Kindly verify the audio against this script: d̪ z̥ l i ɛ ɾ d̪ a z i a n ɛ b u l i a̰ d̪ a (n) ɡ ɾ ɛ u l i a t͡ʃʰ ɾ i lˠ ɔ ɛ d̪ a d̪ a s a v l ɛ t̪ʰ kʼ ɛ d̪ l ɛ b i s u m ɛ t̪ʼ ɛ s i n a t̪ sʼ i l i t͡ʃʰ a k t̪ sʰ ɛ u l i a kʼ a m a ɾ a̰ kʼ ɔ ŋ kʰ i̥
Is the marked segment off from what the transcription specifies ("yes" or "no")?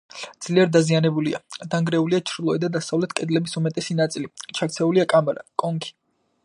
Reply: yes